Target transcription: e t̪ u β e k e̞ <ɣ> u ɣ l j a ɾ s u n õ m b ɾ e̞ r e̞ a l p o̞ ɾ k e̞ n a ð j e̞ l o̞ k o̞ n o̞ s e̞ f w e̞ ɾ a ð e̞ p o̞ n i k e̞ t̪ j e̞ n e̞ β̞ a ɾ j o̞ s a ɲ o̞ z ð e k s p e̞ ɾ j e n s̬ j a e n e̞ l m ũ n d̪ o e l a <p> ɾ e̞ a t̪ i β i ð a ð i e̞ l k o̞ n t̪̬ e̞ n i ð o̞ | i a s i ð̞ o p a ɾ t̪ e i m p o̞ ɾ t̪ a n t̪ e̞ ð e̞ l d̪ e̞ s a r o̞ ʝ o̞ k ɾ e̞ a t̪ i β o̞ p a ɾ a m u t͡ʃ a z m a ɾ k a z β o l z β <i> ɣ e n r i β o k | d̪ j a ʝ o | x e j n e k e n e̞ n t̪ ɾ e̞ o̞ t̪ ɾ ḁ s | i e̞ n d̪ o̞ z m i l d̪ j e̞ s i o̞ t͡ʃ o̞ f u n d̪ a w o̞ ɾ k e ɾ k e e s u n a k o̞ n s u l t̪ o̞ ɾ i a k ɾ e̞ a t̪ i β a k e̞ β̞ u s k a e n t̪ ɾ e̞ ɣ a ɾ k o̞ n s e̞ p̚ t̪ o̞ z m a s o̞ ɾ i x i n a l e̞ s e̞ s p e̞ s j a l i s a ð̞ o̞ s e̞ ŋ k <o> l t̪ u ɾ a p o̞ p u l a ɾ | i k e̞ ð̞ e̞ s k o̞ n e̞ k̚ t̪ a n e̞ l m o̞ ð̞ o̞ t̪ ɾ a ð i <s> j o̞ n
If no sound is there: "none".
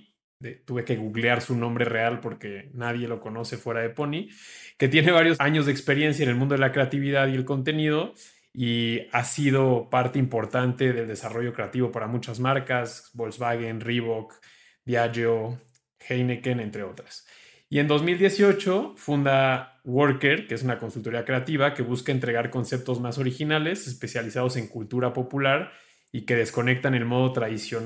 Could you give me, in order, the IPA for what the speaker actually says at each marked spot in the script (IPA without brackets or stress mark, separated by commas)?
ɣ, k, a, u, s